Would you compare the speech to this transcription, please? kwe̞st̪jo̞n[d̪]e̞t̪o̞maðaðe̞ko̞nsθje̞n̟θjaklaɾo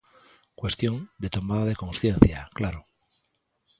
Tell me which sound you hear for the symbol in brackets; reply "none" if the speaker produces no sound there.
d̪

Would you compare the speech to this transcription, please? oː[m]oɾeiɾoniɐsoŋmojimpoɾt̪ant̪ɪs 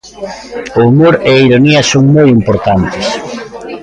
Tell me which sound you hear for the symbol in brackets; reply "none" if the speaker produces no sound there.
m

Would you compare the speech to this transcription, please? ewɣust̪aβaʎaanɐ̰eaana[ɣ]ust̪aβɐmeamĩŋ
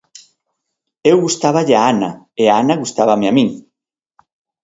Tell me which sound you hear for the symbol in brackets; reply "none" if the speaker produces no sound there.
ɣ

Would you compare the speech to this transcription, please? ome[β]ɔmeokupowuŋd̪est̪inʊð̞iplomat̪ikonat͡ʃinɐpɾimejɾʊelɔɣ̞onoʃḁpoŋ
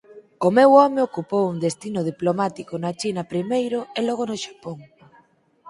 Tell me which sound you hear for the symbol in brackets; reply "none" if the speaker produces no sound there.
w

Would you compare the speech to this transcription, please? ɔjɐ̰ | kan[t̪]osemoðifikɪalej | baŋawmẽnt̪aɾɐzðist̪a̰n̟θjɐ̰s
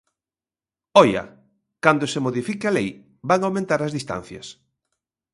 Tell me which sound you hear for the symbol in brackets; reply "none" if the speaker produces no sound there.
d̪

